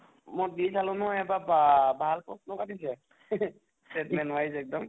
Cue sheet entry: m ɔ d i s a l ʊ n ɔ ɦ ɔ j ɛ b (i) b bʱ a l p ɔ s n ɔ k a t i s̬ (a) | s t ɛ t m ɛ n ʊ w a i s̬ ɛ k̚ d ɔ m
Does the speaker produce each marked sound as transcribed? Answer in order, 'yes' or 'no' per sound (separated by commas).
no, no